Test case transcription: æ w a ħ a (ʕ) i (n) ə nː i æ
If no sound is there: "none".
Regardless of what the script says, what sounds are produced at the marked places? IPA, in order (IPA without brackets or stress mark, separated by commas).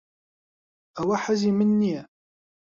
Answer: z, m